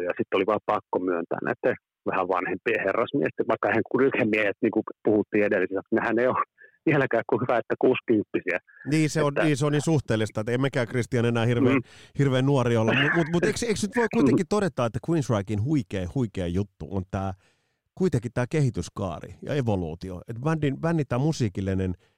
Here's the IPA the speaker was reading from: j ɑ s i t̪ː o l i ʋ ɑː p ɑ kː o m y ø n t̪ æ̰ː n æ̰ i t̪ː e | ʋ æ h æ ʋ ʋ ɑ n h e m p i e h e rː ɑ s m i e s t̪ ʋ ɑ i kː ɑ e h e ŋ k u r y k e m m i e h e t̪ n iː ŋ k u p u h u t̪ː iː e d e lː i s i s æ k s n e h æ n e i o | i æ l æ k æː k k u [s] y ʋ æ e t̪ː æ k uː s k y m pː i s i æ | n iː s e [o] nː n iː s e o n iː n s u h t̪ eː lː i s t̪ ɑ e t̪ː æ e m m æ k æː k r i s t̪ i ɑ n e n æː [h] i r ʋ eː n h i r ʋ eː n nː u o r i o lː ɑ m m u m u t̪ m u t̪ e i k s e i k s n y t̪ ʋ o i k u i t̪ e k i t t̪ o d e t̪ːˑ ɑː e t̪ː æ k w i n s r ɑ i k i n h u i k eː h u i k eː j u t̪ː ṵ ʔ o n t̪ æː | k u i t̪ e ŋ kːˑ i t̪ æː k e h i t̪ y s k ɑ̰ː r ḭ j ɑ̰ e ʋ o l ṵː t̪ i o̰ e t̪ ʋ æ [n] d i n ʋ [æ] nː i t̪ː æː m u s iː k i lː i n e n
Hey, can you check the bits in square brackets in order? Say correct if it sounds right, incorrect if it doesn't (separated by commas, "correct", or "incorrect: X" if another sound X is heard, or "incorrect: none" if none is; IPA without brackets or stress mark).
incorrect: h, correct, correct, correct, correct